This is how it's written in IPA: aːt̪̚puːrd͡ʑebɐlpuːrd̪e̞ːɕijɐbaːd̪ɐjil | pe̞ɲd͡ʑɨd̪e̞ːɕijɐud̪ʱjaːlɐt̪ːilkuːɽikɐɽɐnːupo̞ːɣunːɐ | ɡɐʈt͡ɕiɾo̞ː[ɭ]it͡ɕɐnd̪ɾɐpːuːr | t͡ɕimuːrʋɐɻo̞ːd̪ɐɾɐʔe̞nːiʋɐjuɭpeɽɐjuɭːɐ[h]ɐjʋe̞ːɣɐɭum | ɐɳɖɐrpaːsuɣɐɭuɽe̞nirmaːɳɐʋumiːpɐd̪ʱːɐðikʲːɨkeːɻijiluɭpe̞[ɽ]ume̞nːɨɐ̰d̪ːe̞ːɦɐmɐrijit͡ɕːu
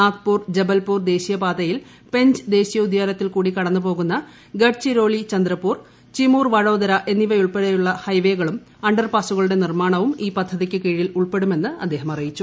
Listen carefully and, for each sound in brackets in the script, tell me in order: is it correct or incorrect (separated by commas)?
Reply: correct, correct, correct